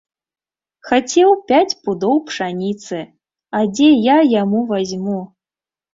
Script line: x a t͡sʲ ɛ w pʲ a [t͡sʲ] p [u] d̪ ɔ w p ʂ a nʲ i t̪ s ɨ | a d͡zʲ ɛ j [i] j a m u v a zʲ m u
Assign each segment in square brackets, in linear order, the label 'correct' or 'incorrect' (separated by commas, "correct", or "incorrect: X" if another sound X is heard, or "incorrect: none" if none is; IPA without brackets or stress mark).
correct, correct, incorrect: a